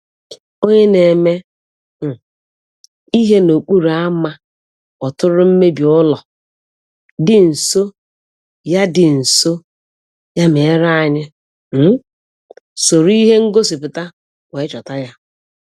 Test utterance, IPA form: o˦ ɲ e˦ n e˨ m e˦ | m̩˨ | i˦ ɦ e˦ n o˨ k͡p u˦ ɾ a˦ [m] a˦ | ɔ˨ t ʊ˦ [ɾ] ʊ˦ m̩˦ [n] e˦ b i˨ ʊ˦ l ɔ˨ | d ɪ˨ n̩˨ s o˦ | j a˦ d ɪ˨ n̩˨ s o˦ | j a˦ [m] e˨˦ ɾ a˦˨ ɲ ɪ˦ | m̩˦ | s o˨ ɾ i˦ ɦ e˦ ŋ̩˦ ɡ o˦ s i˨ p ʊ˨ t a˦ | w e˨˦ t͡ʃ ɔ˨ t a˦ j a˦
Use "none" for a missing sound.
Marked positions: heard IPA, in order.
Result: m, ɾ, m, m

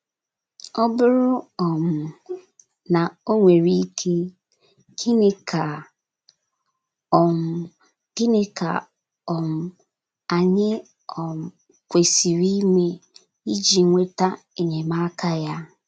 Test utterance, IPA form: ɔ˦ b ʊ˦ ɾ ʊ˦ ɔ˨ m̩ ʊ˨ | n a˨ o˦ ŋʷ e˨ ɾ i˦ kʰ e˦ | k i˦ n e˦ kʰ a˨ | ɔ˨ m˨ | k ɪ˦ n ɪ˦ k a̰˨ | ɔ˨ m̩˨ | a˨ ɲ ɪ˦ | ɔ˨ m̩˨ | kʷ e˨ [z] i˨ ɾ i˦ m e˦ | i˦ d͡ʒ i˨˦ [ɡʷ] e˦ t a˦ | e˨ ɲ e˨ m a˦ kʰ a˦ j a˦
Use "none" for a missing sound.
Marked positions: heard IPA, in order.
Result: s, ŋʷ

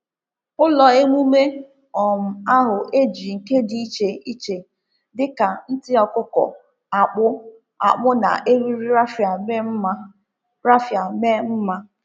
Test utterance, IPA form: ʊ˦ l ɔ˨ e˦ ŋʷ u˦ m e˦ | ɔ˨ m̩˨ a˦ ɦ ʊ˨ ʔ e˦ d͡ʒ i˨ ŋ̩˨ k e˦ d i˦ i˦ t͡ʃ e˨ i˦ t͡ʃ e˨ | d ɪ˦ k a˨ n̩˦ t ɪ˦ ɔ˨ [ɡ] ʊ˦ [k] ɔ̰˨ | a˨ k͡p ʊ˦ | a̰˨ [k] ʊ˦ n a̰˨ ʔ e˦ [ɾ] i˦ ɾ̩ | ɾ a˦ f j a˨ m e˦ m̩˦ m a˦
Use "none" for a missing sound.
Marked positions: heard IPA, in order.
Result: k, k, k͡p, ɾ

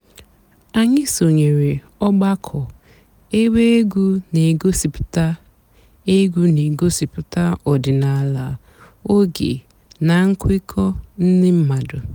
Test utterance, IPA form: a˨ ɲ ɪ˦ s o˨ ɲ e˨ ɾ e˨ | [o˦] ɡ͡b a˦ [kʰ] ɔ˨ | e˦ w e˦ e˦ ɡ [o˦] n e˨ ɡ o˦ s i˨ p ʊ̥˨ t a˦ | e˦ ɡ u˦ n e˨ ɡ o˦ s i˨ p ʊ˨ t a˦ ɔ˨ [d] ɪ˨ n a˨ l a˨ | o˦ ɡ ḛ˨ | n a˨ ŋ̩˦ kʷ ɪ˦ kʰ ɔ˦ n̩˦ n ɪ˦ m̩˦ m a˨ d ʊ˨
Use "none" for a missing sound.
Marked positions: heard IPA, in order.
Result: ɔ˦, kʰ, u˦, d

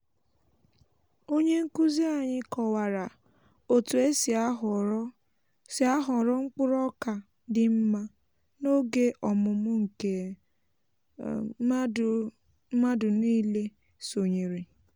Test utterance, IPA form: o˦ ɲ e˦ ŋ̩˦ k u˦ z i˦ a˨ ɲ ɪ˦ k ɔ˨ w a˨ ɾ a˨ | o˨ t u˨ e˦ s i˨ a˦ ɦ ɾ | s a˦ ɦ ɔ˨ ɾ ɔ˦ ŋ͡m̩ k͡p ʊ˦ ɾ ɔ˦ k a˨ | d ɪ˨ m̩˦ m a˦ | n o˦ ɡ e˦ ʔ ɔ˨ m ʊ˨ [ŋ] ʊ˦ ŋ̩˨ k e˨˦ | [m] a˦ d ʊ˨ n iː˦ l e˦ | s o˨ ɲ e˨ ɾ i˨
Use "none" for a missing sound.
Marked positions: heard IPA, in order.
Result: m, m

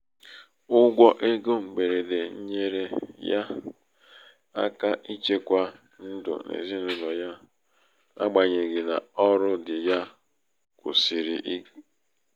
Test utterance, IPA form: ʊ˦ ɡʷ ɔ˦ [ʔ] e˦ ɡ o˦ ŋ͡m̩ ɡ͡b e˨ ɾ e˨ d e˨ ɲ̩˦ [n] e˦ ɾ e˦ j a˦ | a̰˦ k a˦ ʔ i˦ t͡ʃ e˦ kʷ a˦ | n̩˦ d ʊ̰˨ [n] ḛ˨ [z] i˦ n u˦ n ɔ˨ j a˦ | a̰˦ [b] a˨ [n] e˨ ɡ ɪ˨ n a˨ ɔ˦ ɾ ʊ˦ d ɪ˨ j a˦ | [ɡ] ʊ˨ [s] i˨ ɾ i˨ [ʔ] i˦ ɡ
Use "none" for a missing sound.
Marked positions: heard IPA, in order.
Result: ʔ, ɲ, n, z, ɡ͡b, ɲ, k, s, ʔ

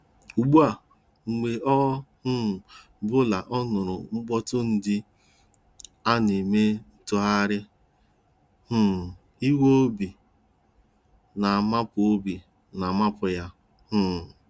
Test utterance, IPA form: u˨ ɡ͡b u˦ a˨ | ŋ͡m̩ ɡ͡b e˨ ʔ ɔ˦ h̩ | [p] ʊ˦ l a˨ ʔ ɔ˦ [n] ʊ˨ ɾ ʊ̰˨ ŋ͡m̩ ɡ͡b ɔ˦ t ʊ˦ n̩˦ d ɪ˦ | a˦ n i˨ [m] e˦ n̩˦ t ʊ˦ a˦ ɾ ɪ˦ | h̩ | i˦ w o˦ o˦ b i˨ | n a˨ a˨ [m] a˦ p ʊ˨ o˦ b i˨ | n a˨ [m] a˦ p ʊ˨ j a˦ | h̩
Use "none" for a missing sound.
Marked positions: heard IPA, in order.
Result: b, n, m, m, m

